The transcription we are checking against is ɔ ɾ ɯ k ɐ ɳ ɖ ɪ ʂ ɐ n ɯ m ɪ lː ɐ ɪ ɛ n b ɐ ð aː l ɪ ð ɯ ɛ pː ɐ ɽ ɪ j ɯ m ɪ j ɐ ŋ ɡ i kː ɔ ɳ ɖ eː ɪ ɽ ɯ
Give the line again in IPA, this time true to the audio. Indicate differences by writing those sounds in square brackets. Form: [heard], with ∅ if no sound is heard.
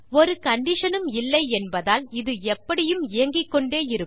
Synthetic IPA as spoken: ɔ ɾ ɯ k ɐ ɳ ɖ ɪ ʂ ɐ n ɯ m ɪ lː ɐ ɪ ɛ n b ɐ ð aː l ɪ ð ɯ ɛ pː ɐ ɽ ɪ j ɯ m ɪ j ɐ ŋ ɡ [ɪ] kː ɔ ɳ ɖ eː ɪ [ɾ] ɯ